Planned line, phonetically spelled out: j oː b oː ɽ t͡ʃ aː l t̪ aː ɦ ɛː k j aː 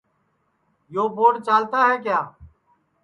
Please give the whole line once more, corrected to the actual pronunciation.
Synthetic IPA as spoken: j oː b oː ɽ t͡ʃ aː l t̪ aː ɦ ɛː k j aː